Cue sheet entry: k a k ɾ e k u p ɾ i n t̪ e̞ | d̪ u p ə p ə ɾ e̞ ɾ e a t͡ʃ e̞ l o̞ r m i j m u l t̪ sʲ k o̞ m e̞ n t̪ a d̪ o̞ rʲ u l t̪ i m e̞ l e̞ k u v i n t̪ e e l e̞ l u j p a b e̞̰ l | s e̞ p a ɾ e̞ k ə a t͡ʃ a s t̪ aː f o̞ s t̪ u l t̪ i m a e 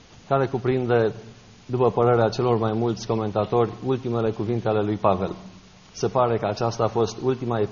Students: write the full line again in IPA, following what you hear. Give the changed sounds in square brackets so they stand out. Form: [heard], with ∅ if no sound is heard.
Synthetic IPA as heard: k a [∅] ɾ e k u p ɾ i n [d̪] e̞ | d̪ u p ə p ə ɾ e̞ ɾ e a t͡ʃ e̞ l o̞ r m [a] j m u l t̪ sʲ k o̞ m e̞ n t̪ a [t̪] o̞ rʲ u l t̪ i m e̞ l e̞ k u v i n t̪ e [a] l e̞ l u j p a [v] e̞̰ l | s e̞ p a ɾ e̞ k ə a t͡ʃ a s t̪ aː f o̞ s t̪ u l t̪ i m a e